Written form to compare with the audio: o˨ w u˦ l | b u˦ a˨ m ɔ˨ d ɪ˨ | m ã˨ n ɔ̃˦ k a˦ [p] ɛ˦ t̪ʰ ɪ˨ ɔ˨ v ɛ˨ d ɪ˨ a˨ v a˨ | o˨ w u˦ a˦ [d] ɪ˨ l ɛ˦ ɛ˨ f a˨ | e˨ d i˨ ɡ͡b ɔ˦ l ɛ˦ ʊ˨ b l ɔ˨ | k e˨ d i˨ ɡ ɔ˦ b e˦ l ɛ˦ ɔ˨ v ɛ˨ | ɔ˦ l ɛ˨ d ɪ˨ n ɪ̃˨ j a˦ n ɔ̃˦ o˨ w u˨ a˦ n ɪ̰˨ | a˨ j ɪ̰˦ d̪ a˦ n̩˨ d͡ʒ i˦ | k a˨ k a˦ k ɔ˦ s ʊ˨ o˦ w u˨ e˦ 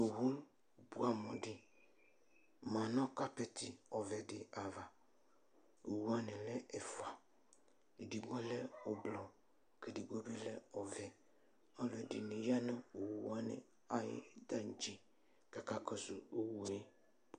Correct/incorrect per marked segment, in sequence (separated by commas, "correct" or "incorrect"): correct, incorrect